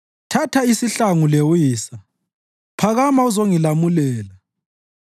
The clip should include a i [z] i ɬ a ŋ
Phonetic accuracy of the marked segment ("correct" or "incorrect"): incorrect